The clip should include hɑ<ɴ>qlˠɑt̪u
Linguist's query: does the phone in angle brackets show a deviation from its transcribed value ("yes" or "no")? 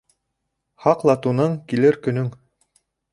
yes